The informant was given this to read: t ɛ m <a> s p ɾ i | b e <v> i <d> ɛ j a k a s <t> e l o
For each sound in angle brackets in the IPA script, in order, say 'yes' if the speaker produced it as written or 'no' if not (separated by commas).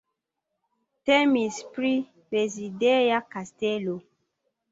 no, no, yes, yes